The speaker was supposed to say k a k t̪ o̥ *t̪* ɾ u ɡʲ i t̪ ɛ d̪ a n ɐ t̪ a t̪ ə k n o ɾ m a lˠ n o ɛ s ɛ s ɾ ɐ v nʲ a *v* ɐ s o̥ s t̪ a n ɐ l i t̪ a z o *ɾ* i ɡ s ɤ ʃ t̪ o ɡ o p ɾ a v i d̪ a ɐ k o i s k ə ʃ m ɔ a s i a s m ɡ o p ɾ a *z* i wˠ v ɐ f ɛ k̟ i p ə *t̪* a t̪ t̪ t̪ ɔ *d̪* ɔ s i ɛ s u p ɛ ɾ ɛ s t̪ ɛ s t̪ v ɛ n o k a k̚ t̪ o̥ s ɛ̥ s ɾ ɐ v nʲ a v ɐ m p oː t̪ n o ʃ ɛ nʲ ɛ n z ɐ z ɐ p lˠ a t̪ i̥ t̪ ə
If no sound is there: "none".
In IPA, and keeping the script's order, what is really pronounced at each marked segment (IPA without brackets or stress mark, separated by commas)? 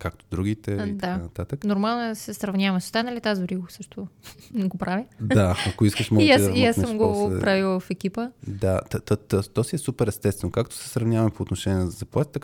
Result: d̪, v, ɾ, v, d̪, t̪